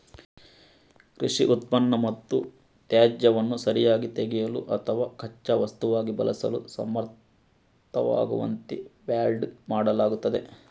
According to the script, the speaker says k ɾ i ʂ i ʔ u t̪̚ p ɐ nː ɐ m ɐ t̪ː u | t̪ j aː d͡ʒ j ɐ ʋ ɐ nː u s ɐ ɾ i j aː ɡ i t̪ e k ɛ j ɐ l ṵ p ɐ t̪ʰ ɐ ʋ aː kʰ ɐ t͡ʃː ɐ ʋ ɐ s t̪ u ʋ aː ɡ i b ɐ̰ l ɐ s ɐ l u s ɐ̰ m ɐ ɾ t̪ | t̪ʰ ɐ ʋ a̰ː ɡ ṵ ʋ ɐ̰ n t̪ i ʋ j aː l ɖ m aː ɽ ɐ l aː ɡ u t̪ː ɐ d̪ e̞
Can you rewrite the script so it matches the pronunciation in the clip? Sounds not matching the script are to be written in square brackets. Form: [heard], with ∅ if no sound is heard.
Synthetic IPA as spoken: k ɾ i ʂ i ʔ u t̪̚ p ɐ nː ɐ m ɐ t̪ː u | t̪ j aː d͡ʒ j ɐ ʋ ɐ nː u s ɐ ɾ i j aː ɡ i t̪ e [ɡ] ɛ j ɐ l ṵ [ʔ] ɐ t̪ʰ ɐ ʋ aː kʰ ɐ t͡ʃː ɐ ʋ ɐ s t̪ u ʋ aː ɡ i b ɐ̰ l ɐ s ɐ l u s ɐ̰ m ɐ ɾ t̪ | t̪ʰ ɐ ʋ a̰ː ɡ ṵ ʋ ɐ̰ n t̪ i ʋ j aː l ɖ m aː ɽ ɐ l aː ɡ u t̪ː ɐ d̪ e̞